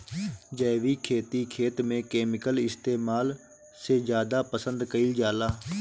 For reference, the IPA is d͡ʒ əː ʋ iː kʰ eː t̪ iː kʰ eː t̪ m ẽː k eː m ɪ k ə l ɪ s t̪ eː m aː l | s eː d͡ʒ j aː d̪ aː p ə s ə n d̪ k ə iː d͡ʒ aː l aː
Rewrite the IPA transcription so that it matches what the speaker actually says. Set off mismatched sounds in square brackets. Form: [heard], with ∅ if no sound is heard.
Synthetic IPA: d͡ʒ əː ʋ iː kʰ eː t̪ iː kʰ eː t̪ m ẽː k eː m ɪ k ə l ɪ s t̪ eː m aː l | s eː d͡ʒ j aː d̪ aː p ə s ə n d̪ k ə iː d͡ʒ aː l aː